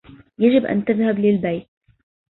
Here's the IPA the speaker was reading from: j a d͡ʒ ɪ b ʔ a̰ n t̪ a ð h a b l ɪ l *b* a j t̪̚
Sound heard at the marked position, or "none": b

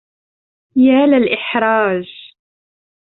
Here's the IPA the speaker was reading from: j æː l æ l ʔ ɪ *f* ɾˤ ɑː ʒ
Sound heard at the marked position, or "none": ħ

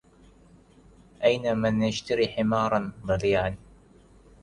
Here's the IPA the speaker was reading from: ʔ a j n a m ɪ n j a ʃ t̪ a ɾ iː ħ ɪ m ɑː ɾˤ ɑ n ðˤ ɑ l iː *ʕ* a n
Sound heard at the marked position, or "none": ʕ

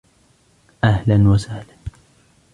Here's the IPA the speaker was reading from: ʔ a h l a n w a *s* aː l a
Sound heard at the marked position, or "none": s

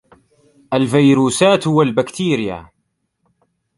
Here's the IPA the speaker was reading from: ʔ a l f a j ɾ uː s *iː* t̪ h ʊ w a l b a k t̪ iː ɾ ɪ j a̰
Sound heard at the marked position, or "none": aː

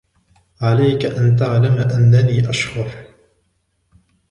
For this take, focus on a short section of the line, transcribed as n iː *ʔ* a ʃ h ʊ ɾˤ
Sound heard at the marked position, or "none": ʔ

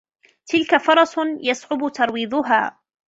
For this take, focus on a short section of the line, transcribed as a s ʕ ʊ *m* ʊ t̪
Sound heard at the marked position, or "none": b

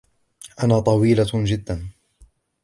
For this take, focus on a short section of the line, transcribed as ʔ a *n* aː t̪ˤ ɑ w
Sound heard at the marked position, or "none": n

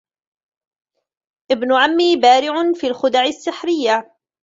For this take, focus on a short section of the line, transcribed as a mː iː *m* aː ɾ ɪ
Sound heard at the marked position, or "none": b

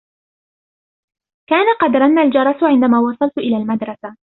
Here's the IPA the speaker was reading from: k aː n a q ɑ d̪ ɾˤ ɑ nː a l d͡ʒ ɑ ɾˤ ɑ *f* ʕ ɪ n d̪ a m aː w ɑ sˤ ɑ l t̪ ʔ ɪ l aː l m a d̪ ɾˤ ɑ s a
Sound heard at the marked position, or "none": s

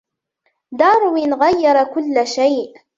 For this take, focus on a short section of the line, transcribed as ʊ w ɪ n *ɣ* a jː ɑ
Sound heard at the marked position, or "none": ɣ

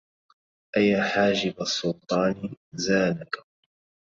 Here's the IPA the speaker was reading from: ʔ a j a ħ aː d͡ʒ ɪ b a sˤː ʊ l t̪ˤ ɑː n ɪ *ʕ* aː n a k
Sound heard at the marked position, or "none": z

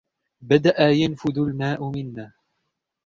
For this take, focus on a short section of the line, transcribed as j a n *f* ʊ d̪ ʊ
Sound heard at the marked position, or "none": f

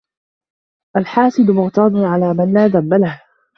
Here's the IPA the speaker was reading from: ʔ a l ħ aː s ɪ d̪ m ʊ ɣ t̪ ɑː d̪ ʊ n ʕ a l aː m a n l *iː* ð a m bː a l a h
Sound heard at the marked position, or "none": aː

